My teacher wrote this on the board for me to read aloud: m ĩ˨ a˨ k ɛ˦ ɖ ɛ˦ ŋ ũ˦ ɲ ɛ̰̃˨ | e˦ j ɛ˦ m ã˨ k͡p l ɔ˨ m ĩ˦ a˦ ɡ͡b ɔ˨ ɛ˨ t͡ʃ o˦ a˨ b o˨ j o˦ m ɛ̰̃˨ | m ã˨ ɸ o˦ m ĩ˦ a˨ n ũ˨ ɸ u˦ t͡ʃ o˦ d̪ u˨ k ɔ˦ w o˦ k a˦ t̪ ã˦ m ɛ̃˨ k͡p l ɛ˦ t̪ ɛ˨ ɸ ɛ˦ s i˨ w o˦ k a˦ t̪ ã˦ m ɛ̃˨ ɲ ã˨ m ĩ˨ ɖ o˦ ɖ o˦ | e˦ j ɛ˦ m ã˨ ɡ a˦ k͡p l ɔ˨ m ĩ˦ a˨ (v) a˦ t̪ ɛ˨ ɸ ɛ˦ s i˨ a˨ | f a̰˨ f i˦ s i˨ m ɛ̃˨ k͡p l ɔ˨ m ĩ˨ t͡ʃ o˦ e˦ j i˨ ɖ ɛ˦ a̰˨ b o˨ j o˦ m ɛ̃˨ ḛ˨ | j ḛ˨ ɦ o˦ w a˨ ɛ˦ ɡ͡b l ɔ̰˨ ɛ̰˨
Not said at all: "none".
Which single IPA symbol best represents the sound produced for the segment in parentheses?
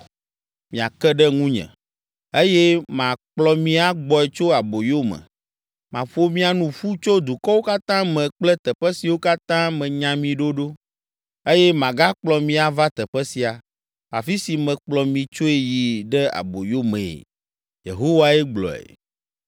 v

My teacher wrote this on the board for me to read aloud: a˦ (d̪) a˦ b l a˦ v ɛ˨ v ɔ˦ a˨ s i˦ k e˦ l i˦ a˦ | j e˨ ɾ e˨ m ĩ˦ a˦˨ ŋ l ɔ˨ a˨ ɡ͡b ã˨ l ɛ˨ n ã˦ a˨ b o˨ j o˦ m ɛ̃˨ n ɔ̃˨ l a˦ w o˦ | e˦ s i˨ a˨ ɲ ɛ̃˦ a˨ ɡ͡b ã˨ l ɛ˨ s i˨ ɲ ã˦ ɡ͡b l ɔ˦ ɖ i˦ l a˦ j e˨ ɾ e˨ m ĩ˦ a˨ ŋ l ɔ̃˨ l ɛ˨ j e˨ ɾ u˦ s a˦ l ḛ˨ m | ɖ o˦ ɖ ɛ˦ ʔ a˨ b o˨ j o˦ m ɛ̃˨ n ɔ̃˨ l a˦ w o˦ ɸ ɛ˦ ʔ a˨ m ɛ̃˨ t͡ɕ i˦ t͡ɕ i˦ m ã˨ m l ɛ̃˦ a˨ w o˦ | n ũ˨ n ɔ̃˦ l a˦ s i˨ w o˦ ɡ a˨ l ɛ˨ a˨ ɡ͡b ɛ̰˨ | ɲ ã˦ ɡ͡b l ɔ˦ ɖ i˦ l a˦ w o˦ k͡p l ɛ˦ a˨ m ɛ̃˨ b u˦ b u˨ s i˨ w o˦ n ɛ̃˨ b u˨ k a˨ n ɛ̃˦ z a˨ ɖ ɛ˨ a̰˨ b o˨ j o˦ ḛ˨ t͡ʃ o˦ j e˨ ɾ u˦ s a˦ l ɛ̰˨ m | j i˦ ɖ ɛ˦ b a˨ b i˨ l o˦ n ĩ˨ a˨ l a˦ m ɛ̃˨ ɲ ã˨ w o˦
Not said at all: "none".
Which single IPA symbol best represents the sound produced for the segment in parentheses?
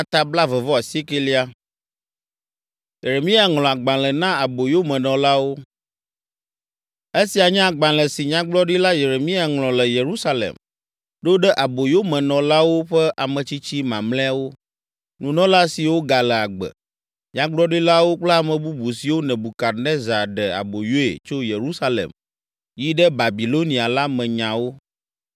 t̪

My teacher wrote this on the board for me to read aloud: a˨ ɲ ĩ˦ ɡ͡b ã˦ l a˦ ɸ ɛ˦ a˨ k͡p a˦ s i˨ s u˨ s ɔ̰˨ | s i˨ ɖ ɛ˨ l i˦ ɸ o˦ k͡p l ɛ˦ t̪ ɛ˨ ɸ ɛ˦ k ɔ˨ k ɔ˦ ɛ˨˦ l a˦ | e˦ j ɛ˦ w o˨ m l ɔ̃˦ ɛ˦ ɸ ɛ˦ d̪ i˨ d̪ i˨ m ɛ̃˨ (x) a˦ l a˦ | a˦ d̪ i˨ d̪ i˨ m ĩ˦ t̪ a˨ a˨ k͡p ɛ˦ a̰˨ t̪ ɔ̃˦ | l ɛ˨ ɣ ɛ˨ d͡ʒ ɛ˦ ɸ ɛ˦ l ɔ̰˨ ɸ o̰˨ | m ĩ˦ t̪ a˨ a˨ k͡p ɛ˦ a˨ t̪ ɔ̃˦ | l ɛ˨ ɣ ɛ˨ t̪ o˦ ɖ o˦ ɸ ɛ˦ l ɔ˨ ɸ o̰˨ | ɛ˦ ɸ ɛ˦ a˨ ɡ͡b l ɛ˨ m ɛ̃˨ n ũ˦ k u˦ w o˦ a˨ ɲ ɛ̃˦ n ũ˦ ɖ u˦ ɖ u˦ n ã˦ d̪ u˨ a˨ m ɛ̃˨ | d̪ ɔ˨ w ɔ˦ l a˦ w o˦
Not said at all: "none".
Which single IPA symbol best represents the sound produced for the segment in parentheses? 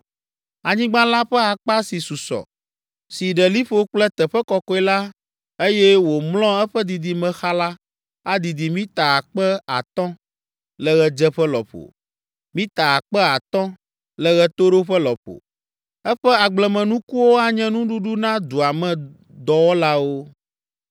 x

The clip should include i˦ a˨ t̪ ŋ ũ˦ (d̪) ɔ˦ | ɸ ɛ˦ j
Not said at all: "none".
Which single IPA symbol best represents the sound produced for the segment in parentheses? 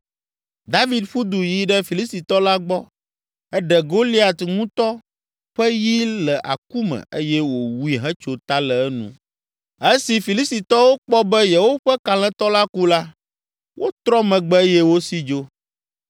t̪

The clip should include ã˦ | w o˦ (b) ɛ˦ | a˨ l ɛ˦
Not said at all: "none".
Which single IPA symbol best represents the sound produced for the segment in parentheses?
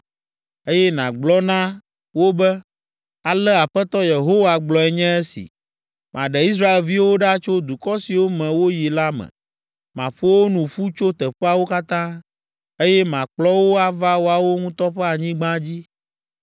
b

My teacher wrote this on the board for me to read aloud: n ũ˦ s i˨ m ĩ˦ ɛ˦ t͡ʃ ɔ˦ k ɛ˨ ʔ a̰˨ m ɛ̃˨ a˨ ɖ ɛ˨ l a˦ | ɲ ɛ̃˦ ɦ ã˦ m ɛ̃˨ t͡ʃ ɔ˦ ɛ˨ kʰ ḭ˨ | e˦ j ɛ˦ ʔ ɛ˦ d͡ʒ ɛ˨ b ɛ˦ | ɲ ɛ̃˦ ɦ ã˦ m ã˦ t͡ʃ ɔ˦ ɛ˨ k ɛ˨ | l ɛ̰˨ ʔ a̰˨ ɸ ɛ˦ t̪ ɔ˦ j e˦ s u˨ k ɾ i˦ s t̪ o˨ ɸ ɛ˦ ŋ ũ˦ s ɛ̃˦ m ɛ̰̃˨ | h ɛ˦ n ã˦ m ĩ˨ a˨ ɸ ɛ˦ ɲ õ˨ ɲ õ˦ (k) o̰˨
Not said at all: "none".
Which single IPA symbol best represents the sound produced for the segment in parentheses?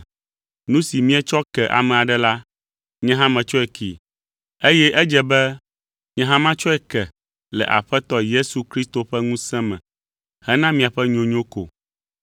k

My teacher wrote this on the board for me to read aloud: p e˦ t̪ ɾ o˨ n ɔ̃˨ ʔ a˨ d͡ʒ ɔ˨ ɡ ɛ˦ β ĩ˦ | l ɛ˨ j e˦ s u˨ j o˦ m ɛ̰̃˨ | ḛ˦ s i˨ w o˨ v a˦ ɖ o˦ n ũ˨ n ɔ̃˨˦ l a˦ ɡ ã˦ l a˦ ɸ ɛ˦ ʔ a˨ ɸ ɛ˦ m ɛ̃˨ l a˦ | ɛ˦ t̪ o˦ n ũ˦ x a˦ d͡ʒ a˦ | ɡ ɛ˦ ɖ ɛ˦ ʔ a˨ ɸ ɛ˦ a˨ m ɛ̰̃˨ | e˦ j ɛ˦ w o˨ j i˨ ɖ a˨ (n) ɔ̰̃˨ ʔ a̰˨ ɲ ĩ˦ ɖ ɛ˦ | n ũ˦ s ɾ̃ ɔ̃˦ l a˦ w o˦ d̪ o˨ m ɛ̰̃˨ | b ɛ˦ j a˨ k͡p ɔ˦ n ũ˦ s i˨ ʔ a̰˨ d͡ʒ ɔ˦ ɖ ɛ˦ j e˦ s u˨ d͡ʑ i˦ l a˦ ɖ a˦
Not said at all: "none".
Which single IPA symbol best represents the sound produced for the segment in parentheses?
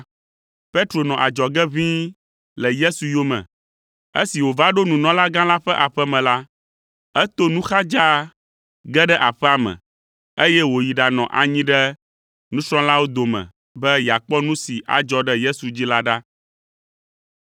n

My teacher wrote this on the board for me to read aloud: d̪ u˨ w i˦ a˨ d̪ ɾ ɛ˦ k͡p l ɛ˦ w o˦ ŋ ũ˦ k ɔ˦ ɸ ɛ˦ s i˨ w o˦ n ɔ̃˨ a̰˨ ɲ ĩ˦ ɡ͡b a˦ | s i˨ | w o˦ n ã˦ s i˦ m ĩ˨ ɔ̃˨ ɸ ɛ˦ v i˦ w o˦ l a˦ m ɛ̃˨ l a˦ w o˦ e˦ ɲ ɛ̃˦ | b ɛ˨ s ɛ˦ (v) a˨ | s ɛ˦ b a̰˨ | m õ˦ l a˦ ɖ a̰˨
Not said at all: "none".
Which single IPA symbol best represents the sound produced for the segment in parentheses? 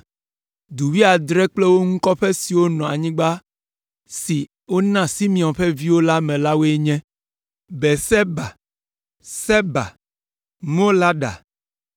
b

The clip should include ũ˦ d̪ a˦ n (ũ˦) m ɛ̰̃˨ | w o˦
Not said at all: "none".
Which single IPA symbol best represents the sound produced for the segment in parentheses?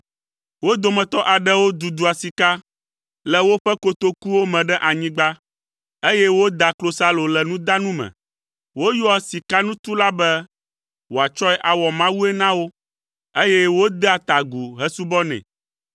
ũ˦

